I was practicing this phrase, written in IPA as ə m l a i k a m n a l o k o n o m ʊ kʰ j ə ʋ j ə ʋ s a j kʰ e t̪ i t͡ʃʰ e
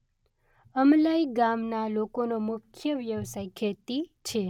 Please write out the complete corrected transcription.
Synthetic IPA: ə m l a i ɡ a m n a l o k o n o m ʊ kʰ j ə ʋ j ə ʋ s a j kʰ e t̪ i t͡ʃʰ e

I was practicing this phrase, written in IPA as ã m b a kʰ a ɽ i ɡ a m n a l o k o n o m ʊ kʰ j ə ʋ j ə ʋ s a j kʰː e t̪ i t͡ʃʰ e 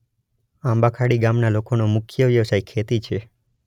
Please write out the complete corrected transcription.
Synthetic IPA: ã m b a kʰ a ɽ i ɡ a m n a l o k o n o m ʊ kʰ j ə ʋ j ə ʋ s a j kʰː e t̪ i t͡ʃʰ e

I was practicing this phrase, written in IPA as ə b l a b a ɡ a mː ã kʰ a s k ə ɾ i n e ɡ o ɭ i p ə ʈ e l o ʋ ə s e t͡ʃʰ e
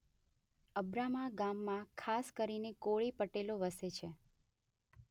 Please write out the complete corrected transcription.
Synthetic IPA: ə b ɾ a m a ɡ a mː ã kʰ a s k ə ɾ i n e k o ɭ i p ə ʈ e l o ʋ ə s e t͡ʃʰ e

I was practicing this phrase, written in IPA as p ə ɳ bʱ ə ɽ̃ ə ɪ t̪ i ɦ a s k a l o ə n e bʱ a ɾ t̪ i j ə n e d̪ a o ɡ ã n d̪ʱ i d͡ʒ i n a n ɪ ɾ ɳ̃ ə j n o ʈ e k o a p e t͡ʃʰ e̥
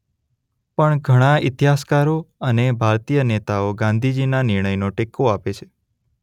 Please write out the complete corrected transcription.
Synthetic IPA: p ə ɳ ɡʱ ə ɽ̃ a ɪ t̪ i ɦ a s k a ɾ o ə n e bʱ a ɾ t̪ i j ə n e t̪ a o ɡ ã n d̪ʱ i d͡ʒ i n a n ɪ ɾ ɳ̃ ə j n o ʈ e k o a p e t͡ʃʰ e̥

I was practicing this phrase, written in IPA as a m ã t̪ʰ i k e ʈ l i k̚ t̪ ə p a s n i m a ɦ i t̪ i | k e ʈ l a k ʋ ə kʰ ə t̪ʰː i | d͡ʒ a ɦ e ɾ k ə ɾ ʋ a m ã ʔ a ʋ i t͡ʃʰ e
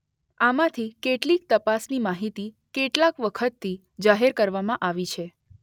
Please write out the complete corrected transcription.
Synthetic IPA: a m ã t̪ʰ i k e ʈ l i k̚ t̪ ə p a s n i m a ɦ i t̪ i | k e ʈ l a k ʋ ə kʰ ə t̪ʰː i | d͡ʒ a ɦ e ɾ k ə ɾ ʋ a m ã ʔ a ʋ i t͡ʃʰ e

